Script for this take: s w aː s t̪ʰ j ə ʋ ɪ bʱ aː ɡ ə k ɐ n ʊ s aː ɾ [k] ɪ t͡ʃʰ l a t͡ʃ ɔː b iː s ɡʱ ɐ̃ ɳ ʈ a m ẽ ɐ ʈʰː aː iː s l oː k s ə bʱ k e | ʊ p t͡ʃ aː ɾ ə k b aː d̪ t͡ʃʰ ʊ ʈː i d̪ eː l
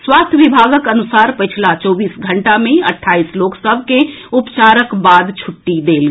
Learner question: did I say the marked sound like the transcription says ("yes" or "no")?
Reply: no